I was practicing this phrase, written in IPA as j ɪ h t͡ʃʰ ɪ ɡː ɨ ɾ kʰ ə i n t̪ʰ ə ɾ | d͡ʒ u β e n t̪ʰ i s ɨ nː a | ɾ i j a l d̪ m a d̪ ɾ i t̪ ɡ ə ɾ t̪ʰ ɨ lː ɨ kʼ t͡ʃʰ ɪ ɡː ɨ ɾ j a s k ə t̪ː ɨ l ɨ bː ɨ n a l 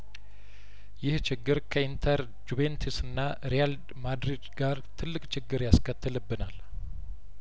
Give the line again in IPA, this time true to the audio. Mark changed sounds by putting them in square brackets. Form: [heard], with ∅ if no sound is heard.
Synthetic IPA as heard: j ɪ h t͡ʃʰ ɪ ɡː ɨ ɾ kʰ ə i n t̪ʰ ə ɾ | d͡ʒ u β e n t̪ʰ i s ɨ nː a | ɾ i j a l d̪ m a d̪ ɾ i [d̪] ɡ [a] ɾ t̪ʰ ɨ lː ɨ kʼ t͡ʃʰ ɪ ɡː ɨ ɾ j a s k ə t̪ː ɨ l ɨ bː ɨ n a l